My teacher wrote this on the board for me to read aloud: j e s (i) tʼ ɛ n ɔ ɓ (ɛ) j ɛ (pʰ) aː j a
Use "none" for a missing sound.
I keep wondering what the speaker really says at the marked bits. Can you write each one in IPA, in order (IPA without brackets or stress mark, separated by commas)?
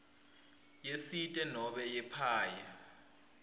i, ɛ, pʰ